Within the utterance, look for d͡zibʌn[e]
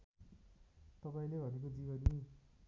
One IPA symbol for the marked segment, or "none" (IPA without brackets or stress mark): i